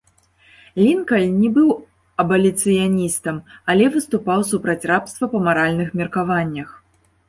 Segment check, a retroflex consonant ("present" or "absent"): absent